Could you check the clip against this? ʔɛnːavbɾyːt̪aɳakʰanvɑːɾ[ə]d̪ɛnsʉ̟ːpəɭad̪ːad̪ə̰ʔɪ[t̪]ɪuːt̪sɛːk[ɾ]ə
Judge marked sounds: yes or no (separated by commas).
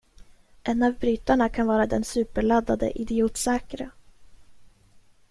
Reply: no, no, yes